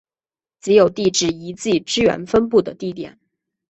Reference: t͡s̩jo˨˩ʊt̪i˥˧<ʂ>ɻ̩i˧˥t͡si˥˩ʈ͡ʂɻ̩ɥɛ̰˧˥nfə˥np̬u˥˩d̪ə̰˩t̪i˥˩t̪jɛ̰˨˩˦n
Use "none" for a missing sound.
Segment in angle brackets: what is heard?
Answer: ʈ͡ʂ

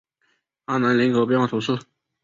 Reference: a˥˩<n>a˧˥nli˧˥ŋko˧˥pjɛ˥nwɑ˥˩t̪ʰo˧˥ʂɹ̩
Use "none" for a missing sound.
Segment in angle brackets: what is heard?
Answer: n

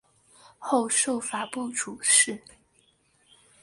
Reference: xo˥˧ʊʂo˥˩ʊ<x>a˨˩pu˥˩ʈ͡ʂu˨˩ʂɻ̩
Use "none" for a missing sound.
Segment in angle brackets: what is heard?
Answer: f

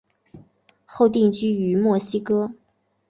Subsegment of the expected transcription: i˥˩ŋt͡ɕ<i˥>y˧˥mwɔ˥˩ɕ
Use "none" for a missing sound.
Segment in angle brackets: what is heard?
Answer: y˥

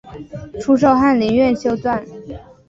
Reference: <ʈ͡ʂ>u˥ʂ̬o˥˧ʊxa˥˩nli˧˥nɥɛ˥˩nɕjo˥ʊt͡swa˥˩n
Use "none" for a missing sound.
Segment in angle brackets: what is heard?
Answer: ʈ͡ʂʰ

